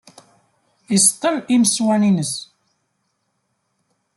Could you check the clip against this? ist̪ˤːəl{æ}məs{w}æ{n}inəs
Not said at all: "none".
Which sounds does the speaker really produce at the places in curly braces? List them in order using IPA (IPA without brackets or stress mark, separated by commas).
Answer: i, w, n